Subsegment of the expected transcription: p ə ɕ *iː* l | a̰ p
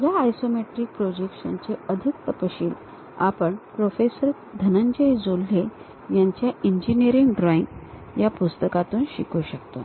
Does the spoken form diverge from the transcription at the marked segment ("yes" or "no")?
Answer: no